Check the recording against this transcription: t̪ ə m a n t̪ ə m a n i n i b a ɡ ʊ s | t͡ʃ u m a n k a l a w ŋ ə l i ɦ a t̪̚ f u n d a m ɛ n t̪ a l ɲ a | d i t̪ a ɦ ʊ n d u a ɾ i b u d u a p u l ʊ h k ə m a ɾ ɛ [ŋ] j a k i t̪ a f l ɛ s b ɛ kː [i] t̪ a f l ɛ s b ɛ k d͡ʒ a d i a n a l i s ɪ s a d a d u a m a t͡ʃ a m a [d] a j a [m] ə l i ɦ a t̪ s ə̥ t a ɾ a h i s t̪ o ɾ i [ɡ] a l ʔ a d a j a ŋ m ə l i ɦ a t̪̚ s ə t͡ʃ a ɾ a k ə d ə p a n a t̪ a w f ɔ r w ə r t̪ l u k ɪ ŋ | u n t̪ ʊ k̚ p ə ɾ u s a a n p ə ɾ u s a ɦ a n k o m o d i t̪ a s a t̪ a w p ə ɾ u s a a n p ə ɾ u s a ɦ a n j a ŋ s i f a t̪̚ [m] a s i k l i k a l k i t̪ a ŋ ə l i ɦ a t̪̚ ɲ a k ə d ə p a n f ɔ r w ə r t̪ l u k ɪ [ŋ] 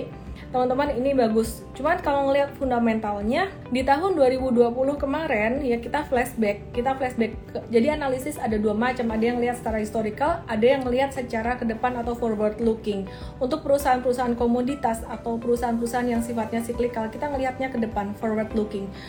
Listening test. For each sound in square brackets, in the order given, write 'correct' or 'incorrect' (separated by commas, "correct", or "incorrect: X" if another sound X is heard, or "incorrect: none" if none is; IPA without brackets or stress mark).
incorrect: n, correct, correct, incorrect: ŋ, incorrect: k, incorrect: ɲ, correct